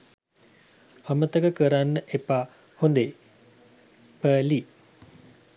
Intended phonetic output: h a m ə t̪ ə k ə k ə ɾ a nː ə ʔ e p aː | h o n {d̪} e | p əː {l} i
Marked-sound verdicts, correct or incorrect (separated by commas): correct, correct